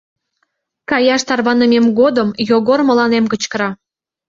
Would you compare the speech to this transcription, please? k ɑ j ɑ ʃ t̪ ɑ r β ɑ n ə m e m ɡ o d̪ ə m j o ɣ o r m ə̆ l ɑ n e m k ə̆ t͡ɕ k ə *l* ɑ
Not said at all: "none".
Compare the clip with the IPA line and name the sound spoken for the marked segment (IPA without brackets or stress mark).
ɾ